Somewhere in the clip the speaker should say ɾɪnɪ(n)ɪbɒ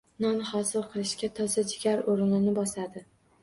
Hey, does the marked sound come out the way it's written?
yes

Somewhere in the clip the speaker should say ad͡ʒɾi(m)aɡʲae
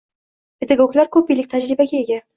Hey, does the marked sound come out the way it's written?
no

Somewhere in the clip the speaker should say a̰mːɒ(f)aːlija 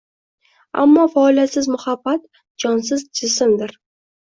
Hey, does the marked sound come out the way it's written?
yes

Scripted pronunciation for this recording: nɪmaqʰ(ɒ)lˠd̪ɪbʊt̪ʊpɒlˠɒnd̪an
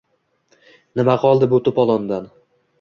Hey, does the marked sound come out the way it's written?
yes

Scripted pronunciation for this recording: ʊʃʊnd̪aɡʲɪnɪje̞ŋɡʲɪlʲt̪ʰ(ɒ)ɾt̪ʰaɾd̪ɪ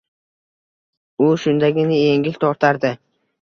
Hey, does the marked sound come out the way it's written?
yes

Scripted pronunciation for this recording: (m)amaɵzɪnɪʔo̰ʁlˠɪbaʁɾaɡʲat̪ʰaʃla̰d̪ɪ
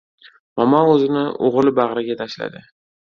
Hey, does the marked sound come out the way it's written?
yes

